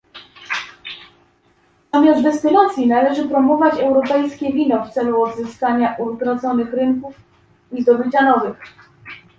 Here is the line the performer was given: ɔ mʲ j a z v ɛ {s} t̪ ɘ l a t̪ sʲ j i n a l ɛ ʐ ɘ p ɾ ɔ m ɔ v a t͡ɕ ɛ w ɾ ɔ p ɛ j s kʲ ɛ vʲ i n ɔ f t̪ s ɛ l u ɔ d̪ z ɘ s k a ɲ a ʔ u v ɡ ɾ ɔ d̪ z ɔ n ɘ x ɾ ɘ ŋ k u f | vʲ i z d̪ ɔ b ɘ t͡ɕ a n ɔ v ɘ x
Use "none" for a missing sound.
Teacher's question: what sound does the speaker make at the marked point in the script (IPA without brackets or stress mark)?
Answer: s